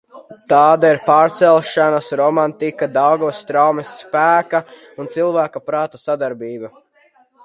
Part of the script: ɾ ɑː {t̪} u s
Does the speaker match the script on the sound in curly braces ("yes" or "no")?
yes